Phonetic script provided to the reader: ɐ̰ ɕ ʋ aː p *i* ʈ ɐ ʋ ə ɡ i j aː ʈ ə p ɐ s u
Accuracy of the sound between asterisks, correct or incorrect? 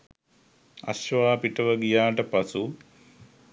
correct